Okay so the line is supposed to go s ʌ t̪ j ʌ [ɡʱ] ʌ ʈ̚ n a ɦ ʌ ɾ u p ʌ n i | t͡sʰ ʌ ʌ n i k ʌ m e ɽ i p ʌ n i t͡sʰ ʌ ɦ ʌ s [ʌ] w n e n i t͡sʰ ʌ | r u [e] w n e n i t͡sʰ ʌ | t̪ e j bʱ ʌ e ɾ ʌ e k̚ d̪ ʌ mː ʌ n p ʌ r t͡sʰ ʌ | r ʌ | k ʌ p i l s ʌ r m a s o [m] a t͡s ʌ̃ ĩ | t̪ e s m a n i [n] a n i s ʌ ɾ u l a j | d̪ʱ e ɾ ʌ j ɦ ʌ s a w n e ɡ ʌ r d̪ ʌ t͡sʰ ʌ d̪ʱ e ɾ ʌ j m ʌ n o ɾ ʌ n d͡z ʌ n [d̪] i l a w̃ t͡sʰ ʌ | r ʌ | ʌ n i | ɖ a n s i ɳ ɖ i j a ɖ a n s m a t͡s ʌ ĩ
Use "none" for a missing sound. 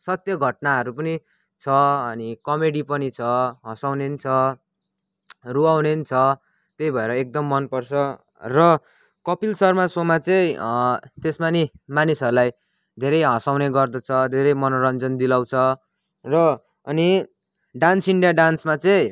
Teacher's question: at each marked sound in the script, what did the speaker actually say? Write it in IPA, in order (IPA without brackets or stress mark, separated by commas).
ɡʱ, a, a, m, m, d̪